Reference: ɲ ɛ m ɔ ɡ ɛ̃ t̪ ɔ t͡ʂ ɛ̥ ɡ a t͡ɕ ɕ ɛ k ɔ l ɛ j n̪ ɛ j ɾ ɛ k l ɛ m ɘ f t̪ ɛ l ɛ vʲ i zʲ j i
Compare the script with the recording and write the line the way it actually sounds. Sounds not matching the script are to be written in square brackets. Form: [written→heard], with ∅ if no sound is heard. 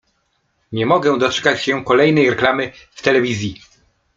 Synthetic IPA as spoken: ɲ ɛ m ɔ ɡ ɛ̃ [t̪→d̪] ɔ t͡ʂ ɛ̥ [ɡ→k] a t͡ɕ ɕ ɛ k ɔ l ɛ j n̪ ɛ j ɾ ɛ k l [ɛ→a] m ɘ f t̪ ɛ l ɛ vʲ i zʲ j i

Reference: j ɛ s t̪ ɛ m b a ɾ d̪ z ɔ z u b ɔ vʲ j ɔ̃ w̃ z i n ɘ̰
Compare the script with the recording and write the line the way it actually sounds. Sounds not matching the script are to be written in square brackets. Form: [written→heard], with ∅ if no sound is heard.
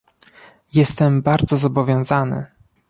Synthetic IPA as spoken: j ɛ s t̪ ɛ m b a ɾ d̪ z ɔ z [u→ɔ] b ɔ vʲ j ɔ̃ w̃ z [i→a] n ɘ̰

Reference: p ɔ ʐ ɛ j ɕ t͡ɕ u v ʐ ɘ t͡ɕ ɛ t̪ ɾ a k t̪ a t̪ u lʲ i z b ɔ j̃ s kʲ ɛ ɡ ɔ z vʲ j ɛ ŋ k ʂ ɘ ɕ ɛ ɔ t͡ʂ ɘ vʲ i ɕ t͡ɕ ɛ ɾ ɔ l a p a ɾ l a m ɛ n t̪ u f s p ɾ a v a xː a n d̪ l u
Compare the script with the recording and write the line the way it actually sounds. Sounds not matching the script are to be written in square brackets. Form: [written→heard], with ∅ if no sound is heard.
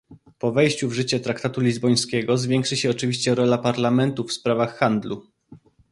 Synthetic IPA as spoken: p ɔ [ʐ→v] ɛ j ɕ t͡ɕ u v ʐ ɘ t͡ɕ ɛ t̪ ɾ a k t̪ a t̪ u lʲ i z b ɔ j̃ s kʲ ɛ ɡ ɔ z vʲ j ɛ ŋ k ʂ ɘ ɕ ɛ ɔ t͡ʂ ɘ vʲ i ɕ t͡ɕ ɛ ɾ ɔ l a p a ɾ l a m ɛ n t̪ u f s p ɾ a v a xː a n d̪ l u

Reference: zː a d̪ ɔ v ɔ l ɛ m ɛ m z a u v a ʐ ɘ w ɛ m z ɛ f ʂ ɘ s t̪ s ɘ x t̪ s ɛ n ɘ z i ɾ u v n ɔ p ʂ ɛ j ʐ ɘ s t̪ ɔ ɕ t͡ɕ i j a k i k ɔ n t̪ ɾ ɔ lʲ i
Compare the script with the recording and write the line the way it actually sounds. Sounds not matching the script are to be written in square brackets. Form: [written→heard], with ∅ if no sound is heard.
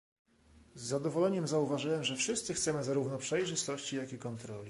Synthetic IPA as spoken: zː a d̪ ɔ v ɔ l ɛ [m→ɲ] ɛ m z a u v a ʐ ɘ w ɛ m [z→ʐ] ɛ f ʂ ɘ s t̪ s ɘ x t̪ s ɛ [n→m] ɘ z [i→a] ɾ u v n ɔ p ʂ ɛ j ʐ ɘ s t̪ ɔ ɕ t͡ɕ i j a k i k ɔ n t̪ ɾ ɔ lʲ i

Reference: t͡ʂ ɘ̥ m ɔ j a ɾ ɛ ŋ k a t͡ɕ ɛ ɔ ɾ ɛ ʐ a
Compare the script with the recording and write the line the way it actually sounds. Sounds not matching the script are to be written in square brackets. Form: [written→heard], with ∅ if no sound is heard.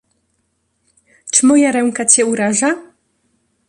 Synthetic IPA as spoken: t͡ʂ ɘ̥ m ɔ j a ɾ ɛ ŋ k a t͡ɕ ɛ [ɔ→u] ɾ [ɛ→a] ʐ a

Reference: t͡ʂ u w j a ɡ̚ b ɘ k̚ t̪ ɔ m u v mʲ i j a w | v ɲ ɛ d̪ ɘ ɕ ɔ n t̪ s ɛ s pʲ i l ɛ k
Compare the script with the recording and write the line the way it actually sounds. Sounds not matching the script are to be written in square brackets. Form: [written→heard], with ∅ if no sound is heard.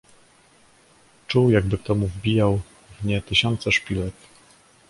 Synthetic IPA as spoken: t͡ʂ u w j a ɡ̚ b ɘ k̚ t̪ ɔ m u v [mʲ→bʲ] i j a w | v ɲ ɛ [d̪→t̪] ɘ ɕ ɔ n t̪ s ɛ [s→ʂ] pʲ i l ɛ k

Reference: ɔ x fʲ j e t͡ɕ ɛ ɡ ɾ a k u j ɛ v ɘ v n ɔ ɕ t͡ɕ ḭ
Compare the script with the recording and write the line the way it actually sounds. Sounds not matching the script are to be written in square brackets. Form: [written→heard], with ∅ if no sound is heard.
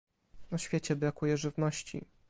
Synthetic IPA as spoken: ɔ [x→ɕ] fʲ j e t͡ɕ ɛ [ɡ→b] ɾ a k u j ɛ [v→ʐ] ɘ v n ɔ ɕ t͡ɕ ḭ

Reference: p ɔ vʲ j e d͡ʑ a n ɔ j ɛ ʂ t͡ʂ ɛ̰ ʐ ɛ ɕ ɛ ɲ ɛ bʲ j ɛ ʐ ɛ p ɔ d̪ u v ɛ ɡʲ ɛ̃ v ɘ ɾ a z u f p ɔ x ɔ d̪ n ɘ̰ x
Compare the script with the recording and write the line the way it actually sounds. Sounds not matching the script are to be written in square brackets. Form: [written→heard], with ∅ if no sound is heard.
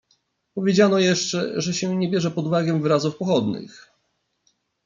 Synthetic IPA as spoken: p ɔ vʲ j e d͡ʑ a n ɔ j ɛ ʂ t͡ʂ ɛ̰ ʐ ɛ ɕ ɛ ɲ ɛ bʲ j ɛ ʐ ɛ p ɔ d̪ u v [ɛ→a] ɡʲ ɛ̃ v ɘ ɾ a z u f p ɔ x ɔ d̪ n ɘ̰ x

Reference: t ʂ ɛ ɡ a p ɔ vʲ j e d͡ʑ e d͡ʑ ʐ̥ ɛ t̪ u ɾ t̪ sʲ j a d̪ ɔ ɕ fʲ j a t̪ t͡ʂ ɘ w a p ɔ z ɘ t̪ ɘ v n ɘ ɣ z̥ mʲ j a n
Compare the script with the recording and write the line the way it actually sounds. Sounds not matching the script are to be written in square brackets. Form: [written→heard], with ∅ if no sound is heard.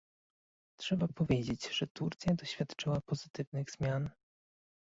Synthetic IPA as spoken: t ʂ ɛ [ɡ→b] a p ɔ vʲ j e d͡ʑ e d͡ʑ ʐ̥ ɛ t̪ u ɾ t̪ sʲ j a d̪ ɔ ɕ fʲ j a t̪ t͡ʂ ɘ w a p ɔ z ɘ t̪ ɘ v n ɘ ɣ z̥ mʲ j a n

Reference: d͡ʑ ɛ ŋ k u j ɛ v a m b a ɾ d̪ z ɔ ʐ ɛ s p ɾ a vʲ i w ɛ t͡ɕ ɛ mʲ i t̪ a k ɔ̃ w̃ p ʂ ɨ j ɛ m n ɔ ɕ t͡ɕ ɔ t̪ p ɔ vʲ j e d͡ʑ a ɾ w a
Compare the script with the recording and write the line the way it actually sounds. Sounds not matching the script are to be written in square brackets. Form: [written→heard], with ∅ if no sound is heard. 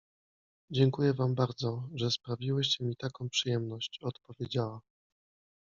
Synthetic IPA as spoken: d͡ʑ ɛ ŋ k u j ɛ v a m b a ɾ d̪ z ɔ ʐ ɛ s p ɾ a vʲ i w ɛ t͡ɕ ɛ mʲ i t̪ a k ɔ̃ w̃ p ʂ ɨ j ɛ m n ɔ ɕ t͡ɕ ɔ t̪ p ɔ vʲ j e d͡ʑ a [ɾ→∅] w a

